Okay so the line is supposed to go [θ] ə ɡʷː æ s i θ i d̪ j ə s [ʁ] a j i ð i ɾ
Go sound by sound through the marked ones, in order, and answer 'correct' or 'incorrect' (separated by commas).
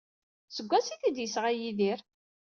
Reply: incorrect, correct